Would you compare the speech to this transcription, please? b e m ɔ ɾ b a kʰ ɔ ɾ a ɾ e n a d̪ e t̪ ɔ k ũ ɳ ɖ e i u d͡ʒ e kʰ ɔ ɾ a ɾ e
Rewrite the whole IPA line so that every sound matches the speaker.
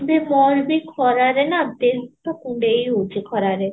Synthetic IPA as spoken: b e m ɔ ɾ b i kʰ ɔ ɾ a ɾ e n a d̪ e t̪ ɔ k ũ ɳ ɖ e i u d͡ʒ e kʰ ɔ ɾ a ɾ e